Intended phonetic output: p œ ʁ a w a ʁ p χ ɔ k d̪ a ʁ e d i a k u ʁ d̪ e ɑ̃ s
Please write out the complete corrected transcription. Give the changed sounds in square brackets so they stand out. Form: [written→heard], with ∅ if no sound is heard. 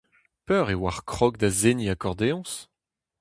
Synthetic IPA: p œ ʁ [a→e] w a ʁ [p→k] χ ɔ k d̪ a [ʁ→z] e [d→n] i a k [u→ɔ] ʁ d̪ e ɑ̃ s